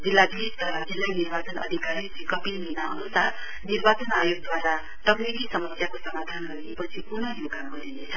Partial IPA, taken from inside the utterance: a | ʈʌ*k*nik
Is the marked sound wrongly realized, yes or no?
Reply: no